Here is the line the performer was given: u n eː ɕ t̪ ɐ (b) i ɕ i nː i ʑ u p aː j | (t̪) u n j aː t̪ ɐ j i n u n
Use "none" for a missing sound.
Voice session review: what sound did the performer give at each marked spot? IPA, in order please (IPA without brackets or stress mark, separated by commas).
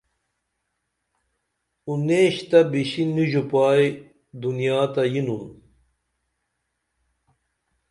b, d̪